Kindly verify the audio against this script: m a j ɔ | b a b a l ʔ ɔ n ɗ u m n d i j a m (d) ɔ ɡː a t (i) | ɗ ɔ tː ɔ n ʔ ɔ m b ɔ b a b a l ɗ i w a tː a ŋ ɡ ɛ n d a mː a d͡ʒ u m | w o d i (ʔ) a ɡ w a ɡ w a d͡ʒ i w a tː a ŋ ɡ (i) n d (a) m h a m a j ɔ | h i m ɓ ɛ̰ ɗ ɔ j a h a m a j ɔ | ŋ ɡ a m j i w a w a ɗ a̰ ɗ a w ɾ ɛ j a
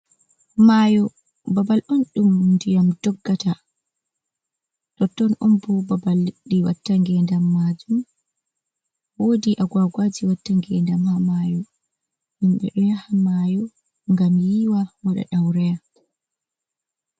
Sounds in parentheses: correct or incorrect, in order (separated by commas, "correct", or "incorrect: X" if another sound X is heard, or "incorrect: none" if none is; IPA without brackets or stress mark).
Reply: correct, incorrect: a, correct, incorrect: ɛ, correct